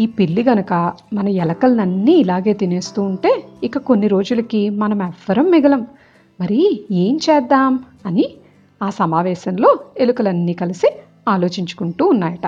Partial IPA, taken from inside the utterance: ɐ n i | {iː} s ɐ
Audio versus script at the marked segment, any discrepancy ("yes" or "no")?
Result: yes